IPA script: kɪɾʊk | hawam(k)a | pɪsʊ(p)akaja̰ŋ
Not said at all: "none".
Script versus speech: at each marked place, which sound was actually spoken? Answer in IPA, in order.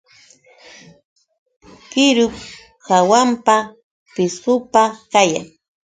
p, p

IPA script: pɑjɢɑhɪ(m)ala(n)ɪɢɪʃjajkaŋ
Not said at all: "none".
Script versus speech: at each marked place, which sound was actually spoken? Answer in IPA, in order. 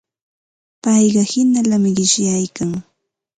n, m

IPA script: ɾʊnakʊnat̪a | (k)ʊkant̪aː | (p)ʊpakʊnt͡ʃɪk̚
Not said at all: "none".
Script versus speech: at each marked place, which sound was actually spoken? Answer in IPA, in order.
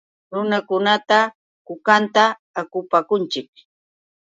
k, k

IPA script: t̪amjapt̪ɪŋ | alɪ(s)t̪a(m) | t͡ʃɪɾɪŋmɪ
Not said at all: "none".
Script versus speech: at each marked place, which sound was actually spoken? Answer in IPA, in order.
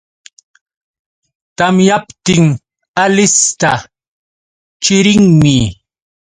s, none

